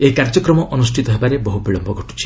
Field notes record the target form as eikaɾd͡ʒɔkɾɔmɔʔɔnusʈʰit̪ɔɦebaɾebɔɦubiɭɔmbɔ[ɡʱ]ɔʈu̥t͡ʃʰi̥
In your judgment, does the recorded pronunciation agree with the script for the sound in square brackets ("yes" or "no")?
yes